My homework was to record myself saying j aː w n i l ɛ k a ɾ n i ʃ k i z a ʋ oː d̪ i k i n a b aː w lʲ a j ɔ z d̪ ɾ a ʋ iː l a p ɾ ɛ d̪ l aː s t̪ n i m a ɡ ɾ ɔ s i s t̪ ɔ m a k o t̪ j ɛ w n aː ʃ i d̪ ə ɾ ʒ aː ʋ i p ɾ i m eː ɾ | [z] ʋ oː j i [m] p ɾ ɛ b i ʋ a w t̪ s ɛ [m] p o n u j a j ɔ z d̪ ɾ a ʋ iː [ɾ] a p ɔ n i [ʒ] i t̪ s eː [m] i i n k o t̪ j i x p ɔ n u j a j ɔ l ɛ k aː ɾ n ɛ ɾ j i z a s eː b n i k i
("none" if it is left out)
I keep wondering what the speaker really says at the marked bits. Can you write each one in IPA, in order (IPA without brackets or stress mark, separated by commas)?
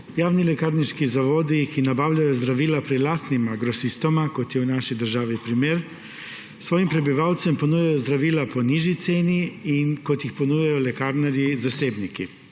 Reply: s, m, m, l, ʒ, n